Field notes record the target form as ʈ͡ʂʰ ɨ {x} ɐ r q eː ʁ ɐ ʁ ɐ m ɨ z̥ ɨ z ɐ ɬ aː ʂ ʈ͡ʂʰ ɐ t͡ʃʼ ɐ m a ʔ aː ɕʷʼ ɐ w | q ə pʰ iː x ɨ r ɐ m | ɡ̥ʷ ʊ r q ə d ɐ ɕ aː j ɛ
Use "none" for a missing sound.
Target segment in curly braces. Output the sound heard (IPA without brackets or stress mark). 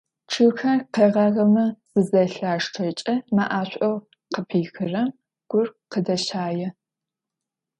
x